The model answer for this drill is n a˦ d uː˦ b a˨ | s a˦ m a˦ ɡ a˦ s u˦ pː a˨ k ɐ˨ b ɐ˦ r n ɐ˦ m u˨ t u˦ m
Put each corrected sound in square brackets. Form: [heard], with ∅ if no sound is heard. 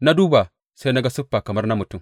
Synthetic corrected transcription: n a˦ d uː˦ b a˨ | s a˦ [n] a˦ ɡ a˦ s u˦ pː a˨ k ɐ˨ [m] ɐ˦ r n [a˦] m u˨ t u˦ m